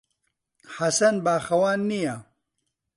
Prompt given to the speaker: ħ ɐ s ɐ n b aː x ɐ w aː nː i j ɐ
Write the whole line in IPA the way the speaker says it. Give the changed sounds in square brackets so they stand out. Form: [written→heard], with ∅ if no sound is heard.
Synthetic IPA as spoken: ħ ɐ s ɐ n b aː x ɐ w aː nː i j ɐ